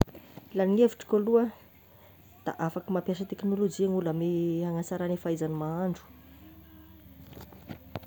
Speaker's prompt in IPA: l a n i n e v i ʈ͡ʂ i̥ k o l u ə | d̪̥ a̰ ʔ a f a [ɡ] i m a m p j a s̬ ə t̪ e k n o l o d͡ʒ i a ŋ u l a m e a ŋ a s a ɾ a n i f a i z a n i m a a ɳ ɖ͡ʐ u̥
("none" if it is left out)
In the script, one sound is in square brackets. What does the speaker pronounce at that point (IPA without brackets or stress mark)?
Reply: k